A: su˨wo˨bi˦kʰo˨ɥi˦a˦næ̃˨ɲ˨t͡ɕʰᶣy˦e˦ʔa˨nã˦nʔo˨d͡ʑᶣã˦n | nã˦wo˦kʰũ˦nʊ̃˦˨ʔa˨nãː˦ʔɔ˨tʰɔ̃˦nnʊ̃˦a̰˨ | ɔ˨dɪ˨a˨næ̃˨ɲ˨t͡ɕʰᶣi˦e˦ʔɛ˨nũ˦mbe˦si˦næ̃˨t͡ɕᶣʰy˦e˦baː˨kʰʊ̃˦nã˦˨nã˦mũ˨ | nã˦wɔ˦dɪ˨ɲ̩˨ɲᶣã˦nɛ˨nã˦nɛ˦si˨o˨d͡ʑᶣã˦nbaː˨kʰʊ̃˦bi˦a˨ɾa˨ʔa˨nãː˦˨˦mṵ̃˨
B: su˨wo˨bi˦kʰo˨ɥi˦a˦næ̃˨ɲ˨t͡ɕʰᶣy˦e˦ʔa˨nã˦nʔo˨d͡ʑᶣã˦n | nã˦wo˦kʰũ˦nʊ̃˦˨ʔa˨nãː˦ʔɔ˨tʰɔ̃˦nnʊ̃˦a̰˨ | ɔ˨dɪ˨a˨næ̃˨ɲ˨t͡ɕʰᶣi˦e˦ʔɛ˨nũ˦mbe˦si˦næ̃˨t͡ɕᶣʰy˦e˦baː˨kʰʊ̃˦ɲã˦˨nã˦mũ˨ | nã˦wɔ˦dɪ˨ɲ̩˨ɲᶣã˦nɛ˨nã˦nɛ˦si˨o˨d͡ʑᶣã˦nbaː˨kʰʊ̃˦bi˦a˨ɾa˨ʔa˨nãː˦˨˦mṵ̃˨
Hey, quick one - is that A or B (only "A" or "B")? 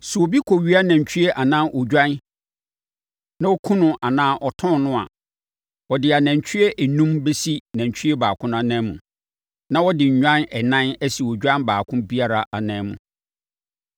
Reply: A